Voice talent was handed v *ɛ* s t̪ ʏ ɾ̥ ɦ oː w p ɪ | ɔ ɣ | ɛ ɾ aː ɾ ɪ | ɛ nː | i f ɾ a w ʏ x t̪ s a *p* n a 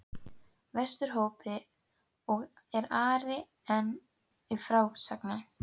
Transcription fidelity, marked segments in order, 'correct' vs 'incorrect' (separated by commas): correct, incorrect